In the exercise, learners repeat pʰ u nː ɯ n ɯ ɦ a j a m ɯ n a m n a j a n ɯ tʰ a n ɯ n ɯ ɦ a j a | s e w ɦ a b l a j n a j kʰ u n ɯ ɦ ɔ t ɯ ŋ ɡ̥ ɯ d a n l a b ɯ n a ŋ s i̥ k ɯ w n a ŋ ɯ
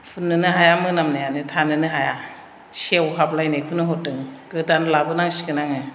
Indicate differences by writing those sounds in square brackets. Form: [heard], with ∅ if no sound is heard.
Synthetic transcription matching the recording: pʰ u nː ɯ n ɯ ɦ a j a m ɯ n a m n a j a n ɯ tʰ a n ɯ n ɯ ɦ a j a | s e w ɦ a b l a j n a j kʰ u n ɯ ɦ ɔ t ɯ ŋ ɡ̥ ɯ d a n l a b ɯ n a ŋ s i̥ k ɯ [∅] n a ŋ ɯ